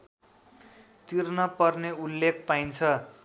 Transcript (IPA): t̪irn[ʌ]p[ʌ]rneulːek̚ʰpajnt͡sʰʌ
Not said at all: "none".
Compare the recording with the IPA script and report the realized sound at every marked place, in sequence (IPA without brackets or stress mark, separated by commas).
ʌ, ʌ